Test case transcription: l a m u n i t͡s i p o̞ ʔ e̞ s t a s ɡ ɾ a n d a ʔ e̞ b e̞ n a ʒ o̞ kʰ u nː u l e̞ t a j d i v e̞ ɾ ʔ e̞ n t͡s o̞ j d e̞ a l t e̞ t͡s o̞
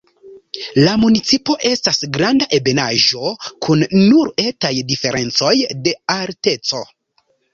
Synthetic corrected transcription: l a m u n i t͡s i p o̞ ʔ e̞ s t a s ɡ ɾ a n d a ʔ e̞ b e̞ n a ʒ o̞ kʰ u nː u ɾ e̞ t a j d i f e̞ ɾ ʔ e̞ n t͡s o̞ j d e̞ a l t e̞ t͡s o̞

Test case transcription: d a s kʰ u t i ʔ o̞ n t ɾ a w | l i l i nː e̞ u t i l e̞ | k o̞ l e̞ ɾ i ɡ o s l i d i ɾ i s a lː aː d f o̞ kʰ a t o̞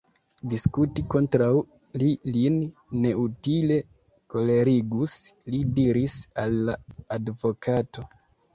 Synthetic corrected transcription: d i s k u t i k o̞ n t ɾ a w | l i l i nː e̞ u t i l e̞ | k o̞ l e̞ ɾ i ɡ u s l i d i ɾ i s a lː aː d v o̞ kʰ a t o̞

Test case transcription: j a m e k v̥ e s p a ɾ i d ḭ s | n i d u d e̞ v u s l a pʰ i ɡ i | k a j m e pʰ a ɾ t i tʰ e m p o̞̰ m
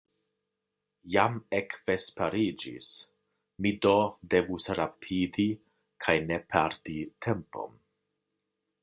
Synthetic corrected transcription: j a m e k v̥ e s p a ɾ i d͡ʒ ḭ s | m i d o d e̞ v u s ɾ a pʰ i d i | kʰ a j n e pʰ a ɾ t i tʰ e m p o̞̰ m

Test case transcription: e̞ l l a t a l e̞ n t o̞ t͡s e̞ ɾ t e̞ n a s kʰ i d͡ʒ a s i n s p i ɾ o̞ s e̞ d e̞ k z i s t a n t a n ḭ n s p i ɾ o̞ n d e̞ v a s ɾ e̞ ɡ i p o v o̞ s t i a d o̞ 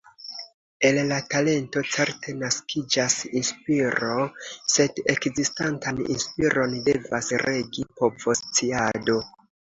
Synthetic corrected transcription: e̞ l l a t a l e̞ n t o̞ t͡s e̞ ɾ t e̞ n a s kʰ i d͡ʒ a s i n s p i ɾ o̞ s e̞ d e̞ k z i s t a n t a n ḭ n s p i ɾ o̞ n d e̞ v a s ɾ e̞ ɡ i p o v o̞ s t͡s i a d o̞

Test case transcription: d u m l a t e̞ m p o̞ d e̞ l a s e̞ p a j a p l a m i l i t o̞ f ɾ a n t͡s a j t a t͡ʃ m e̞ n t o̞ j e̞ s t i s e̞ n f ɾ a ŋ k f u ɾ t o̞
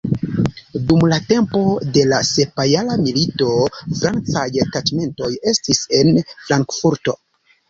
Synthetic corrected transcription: d u m l a t e̞ m p o̞ d e̞ l a s e̞ p a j a l a m i l i t o̞ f ɾ a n t͡s a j t a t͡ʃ m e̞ n t o̞ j e̞ s t i s e̞ n f ɾ a ŋ k f u ɾ t o̞

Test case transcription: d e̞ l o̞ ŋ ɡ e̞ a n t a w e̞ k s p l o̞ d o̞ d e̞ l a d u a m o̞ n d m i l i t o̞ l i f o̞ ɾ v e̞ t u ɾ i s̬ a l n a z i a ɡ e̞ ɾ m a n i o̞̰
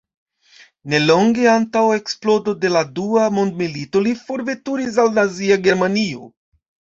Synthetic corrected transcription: n e̞ l o̞ ŋ ɡ e̞ a n t a w e̞ k s p l o̞ d o̞ d e̞ l a d u a m o̞ n d m i l i t o̞ l i f o̞ ɾ v e̞ t u ɾ i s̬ a l n a z i a ɡ e̞ ɾ m a n i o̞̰

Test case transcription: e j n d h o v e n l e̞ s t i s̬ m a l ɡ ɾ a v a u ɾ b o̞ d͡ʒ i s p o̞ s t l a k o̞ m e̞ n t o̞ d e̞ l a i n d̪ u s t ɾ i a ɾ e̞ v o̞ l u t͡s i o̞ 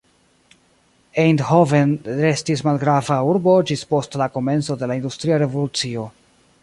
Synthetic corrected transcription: e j n d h o v e n ɾ e̞ s t i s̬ m a l ɡ ɾ a v a u ɾ b o̞ d͡ʒ i s p o̞ s t l a k o̞ m e̞ n t͡s o̞ d e̞ l a i n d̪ u s t ɾ i a ɾ e̞ v o̞ l u t͡s i o̞

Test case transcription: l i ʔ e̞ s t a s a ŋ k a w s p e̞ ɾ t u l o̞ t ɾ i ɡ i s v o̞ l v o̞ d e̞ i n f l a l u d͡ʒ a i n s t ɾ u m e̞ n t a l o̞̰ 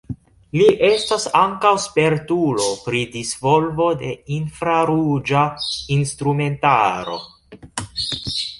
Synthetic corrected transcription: l i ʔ e̞ s t a s a ŋ k a w s p e̞ ɾ t u l o̞ p ɾ i d i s v o̞ l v o̞ d e̞ i n f ɾ a ɾ u d͡ʒ a i n s t ɾ u m e̞ n t a ɾ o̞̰

